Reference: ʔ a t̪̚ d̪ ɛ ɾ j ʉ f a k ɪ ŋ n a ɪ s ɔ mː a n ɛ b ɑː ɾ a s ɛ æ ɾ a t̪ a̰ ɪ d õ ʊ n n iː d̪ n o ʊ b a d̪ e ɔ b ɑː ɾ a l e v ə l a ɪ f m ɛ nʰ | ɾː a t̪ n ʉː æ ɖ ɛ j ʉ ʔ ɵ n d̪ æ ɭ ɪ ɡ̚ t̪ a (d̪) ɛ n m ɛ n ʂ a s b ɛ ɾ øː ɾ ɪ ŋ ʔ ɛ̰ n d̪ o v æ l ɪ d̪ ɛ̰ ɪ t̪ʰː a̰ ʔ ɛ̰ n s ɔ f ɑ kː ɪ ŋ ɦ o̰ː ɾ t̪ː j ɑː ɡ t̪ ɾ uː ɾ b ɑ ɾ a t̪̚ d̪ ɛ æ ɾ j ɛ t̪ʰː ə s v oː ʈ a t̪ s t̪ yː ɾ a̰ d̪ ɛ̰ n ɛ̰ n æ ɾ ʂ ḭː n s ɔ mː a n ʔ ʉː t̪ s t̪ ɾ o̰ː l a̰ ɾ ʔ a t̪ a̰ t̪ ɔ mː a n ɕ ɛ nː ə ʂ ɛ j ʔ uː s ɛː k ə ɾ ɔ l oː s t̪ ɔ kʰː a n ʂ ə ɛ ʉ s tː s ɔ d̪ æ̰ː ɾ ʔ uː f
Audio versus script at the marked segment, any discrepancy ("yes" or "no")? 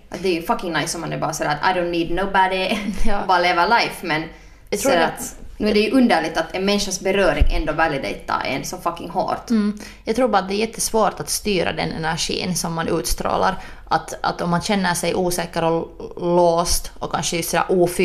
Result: yes